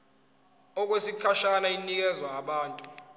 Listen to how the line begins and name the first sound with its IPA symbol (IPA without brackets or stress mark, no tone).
ɔ